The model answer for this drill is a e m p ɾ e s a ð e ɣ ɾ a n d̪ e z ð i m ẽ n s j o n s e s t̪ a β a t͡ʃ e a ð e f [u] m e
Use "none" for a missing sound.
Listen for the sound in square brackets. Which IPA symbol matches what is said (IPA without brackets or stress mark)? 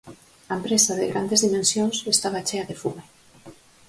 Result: u